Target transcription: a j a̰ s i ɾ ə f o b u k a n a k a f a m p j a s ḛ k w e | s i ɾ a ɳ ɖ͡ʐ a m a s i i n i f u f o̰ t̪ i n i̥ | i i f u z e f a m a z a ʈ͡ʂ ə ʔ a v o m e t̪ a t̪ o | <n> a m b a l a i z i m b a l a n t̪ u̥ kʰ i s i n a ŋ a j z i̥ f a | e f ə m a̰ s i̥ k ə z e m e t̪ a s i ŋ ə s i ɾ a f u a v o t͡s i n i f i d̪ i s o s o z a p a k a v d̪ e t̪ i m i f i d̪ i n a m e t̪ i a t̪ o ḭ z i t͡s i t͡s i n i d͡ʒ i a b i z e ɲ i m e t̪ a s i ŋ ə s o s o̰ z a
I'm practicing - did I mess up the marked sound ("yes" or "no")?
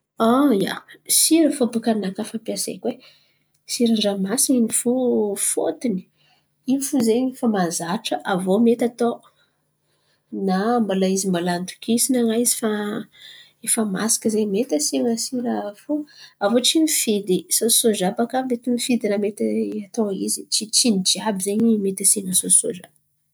no